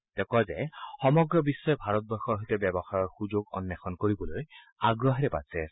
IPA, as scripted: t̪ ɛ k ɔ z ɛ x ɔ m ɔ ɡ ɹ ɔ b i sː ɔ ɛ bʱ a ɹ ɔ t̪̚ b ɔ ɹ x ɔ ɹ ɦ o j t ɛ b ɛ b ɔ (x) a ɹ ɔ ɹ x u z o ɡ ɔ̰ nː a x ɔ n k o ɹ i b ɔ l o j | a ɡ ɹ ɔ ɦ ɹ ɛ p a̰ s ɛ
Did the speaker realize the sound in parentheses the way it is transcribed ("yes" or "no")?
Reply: yes